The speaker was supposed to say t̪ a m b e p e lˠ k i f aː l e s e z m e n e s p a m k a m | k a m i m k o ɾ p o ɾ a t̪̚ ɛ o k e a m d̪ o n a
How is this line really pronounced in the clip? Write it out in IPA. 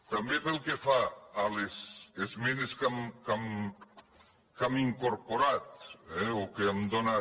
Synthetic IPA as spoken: t̪ a m b e p e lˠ k e f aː l e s e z m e n e s k a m k a m | k a m i ŋ k o ɾ p o ɾ a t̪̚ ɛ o k e a m d̪ o n a